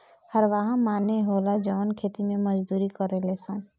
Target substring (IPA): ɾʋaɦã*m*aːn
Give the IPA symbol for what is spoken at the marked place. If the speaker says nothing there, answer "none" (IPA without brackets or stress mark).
m